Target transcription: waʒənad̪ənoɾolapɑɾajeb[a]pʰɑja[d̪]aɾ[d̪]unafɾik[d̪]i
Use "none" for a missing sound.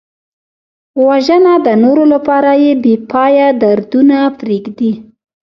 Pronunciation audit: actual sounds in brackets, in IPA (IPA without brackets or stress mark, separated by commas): e, d̪, d̪, d̪